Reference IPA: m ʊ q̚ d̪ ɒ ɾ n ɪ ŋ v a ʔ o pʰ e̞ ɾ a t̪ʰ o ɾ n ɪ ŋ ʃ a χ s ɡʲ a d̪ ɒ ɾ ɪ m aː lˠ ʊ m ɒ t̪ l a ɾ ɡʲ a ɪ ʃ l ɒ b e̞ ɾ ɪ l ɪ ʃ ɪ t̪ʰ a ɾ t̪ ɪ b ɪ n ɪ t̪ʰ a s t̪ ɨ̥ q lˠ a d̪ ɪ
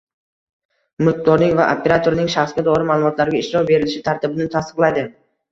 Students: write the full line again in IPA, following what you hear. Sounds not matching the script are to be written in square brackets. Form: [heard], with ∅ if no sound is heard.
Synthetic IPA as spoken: m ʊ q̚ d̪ ɒ ɾ n ɪ ŋ v a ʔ o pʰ e̞ ɾ a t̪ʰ o ɾ n ɪ ŋ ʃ a χ s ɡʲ a d̪ ɒ ɾ ɪ m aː lˠ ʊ m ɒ t̪ l a ɾ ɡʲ a ɪ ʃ [ɾ] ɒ b e̞ ɾ ɪ l ɪ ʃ ɪ t̪ʰ a ɾ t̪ ɪ b ɪ n ɪ t̪ʰ a s t̪ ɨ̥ q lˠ a d̪ ɪ